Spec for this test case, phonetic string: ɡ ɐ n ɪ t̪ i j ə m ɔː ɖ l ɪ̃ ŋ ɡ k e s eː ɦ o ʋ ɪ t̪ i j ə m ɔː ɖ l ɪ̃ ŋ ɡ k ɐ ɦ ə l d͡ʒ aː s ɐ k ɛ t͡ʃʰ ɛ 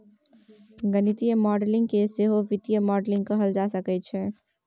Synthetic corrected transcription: ɡ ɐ n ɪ t̪ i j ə m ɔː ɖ l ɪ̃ ŋ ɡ k e s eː ɦ o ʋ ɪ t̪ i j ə m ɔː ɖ l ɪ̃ ŋ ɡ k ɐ ɦ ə l d͡ʒ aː s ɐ k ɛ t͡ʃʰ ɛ